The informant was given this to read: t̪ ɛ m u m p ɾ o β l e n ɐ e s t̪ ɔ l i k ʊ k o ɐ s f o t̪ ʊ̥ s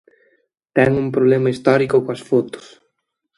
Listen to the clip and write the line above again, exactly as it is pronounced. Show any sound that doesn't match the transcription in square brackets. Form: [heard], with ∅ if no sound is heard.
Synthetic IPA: t̪ ɛ [ŋ] u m p ɾ o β l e [m] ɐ [i] s t̪ ɔ [ɾ] i k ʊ k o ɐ s f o t̪ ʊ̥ s